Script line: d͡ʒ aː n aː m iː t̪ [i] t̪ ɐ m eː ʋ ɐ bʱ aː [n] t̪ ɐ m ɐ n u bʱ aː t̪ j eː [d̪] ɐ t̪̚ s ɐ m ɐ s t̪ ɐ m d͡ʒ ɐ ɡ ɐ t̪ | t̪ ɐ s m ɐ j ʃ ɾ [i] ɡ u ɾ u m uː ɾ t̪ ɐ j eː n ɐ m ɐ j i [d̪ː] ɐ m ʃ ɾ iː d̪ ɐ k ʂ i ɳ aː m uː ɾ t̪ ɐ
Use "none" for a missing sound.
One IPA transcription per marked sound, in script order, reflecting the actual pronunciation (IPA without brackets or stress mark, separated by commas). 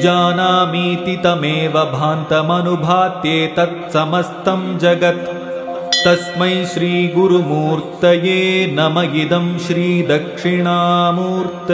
i, n, t̪, iː, d̪